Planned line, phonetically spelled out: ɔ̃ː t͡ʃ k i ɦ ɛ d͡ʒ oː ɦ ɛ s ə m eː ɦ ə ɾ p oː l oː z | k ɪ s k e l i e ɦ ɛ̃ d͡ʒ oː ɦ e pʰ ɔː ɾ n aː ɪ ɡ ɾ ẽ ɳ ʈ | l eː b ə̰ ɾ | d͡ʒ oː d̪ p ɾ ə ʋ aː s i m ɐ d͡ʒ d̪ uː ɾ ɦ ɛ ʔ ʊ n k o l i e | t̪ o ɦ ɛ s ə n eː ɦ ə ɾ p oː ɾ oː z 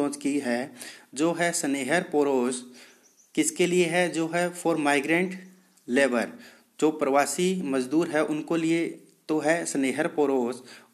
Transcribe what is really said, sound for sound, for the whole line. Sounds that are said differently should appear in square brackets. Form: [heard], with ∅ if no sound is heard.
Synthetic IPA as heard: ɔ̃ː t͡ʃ k i ɦ ɛ d͡ʒ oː ɦ ɛ s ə [n] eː ɦ ə ɾ p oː [ɾ] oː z | k ɪ s k e l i e ɦ [ɛ] d͡ʒ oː ɦ [ɛ] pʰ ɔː ɾ [m] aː ɪ ɡ ɾ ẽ ɳ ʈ | l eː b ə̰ ɾ | d͡ʒ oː [∅] p ɾ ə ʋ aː s i m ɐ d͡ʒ d̪ uː ɾ ɦ ɛ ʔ ʊ n k o l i e | t̪ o ɦ ɛ s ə n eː ɦ ə ɾ p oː ɾ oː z